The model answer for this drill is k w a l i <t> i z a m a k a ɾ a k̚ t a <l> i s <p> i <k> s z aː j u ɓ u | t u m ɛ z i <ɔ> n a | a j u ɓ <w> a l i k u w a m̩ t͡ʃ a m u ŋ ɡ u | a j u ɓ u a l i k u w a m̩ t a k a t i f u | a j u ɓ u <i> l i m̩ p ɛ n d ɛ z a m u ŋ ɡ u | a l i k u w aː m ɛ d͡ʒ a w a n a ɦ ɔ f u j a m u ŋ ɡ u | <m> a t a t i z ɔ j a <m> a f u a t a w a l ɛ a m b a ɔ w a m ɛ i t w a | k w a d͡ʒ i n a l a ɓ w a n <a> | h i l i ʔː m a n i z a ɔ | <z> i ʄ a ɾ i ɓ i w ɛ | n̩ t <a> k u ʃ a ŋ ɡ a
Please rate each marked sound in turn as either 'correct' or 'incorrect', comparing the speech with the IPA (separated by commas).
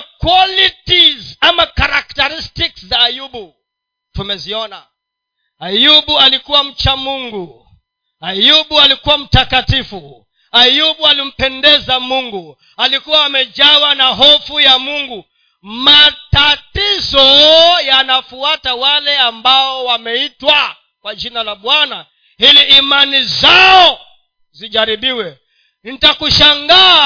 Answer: correct, incorrect, incorrect, correct, correct, incorrect, incorrect, correct, incorrect, correct, correct, correct